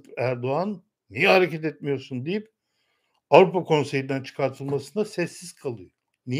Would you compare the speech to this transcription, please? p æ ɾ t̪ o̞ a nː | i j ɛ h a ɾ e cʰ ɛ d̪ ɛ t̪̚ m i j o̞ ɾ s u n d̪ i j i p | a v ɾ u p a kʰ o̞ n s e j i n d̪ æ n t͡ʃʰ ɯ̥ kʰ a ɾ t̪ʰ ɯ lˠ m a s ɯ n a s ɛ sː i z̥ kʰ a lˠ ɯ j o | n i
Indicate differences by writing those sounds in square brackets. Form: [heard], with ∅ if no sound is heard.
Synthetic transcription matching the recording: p æ ɾ [d̪] o̞ a nː | i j ɛ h a ɾ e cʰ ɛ [t̪] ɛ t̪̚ m i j o̞ ɾ s u n d̪ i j i p | a v ɾ u p a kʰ o̞ n s e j i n d̪ æ n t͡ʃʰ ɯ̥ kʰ a ɾ t̪ʰ ɯ lˠ m a s ɯ n a s ɛ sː i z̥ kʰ a lˠ ɯ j o | n i